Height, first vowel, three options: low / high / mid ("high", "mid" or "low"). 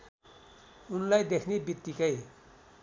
high